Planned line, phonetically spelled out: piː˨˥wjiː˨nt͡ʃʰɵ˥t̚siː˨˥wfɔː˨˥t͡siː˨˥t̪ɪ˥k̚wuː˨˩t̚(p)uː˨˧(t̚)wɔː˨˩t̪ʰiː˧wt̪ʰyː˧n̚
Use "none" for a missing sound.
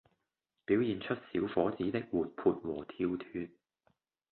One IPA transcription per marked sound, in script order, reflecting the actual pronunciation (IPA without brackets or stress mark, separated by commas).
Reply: pʰ, t̚